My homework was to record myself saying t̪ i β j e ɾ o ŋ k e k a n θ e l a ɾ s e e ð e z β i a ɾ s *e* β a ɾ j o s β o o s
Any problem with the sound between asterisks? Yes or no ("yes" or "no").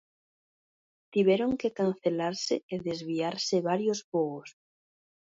no